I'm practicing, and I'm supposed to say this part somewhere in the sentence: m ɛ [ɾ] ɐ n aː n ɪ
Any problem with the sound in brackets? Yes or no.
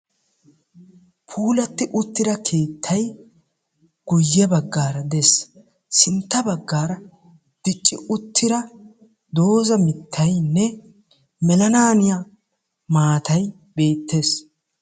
yes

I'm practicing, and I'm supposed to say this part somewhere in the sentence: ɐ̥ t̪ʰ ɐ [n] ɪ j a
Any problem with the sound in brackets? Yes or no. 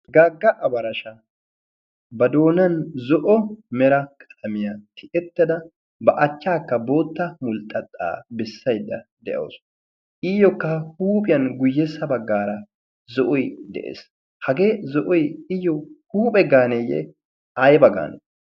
yes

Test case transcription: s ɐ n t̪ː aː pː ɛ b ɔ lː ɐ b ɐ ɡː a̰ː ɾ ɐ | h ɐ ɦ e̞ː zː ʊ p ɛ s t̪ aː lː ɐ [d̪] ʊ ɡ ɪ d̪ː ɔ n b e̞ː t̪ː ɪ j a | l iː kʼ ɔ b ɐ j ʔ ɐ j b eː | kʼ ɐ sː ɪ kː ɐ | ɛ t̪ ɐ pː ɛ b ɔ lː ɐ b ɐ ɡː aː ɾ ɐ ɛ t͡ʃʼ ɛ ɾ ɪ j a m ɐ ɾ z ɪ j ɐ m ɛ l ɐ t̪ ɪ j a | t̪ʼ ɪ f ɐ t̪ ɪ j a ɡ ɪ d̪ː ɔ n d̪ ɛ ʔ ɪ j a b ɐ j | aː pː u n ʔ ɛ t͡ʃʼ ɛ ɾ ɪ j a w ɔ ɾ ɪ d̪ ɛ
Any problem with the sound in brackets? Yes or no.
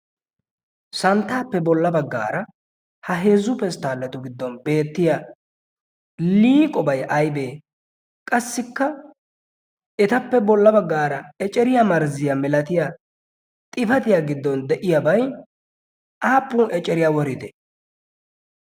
yes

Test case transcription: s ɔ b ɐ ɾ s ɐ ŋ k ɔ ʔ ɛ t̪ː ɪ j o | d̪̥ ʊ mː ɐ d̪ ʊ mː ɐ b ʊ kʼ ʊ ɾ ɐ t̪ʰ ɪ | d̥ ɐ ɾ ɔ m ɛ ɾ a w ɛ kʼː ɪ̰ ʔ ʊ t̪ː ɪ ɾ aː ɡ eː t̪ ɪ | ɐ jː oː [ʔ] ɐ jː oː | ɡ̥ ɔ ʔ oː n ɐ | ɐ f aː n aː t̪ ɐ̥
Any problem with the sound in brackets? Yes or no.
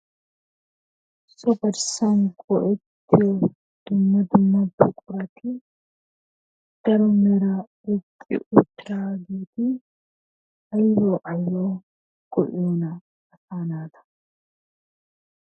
no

